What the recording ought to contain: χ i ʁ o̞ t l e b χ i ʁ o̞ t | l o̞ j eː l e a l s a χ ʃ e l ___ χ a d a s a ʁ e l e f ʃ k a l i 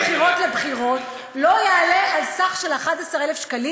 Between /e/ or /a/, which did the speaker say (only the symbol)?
a